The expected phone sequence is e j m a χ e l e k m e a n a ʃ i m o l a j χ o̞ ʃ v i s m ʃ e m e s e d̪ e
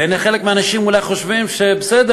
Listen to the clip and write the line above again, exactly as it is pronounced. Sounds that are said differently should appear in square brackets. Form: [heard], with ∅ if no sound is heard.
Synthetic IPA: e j [n] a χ e l e k m e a n a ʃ i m [u] l a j χ o̞ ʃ v i [∅] m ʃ e [b] e s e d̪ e